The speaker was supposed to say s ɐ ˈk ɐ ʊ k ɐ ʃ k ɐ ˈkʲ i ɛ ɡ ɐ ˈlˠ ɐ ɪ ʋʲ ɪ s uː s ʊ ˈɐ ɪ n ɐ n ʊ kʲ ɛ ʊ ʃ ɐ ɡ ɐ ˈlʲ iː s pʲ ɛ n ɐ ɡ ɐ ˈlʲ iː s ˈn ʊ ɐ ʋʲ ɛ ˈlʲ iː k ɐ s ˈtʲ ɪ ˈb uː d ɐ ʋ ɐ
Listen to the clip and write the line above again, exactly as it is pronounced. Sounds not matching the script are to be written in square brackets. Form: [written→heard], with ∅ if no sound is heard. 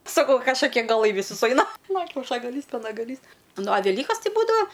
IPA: s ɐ ˈk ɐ ʊ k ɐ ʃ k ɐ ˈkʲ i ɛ ɡ ɐ ˈlˠ ɐ ɪ ʋʲ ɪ s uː s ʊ ˈɐ ɪ n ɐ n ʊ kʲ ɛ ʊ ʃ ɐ ɡ ɐ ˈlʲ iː s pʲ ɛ n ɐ ɡ ɐ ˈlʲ iː s ˈn ʊ ɐ ʋʲ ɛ ˈlʲ iː k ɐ s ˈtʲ ɪ ˈb uː d ɐ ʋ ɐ

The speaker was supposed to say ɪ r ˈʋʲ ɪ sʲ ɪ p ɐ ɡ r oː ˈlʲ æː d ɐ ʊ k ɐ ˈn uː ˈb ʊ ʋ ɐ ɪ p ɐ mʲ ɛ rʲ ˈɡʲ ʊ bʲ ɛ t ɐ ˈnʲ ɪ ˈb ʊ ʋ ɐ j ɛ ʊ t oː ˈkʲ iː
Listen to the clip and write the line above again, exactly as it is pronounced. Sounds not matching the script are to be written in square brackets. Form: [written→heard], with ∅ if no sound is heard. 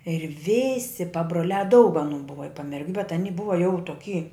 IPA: ɪ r ˈʋʲ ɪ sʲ ɪ p ɐ [ɡ→b] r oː ˈlʲ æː d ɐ ʊ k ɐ ˈn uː ˈb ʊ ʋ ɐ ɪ p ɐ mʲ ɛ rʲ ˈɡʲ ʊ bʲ ɛ t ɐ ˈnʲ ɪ ˈb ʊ ʋ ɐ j ɛ ʊ t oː ˈkʲ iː

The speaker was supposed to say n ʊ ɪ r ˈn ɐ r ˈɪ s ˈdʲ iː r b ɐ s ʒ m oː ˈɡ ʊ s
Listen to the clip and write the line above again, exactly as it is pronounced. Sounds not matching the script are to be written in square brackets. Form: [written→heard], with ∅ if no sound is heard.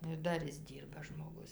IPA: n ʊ ɪ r [ˈn→ˈd] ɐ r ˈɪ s ˈdʲ iː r b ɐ [s→∅] ʒ m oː ˈɡ ʊ s

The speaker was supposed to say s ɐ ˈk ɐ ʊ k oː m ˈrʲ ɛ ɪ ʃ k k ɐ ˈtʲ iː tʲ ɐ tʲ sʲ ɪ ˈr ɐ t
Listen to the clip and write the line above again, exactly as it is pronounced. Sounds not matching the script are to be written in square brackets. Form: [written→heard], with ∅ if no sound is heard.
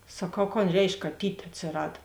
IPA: s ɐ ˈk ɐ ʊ k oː [m→n] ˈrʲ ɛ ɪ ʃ k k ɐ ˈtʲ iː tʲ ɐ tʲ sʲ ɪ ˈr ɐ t

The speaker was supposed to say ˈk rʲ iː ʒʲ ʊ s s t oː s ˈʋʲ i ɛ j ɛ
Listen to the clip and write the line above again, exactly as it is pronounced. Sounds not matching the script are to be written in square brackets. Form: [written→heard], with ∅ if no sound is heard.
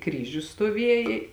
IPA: ˈk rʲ iː ʒʲ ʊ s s t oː [s→∅] ˈʋʲ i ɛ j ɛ

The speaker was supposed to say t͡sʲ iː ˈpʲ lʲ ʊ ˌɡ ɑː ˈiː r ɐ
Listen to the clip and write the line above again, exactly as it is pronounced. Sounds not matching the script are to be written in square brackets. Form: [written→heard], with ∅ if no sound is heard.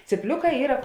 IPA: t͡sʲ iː ˈpʲ lʲ ʊ [ˌɡ→ˌk] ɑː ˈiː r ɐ

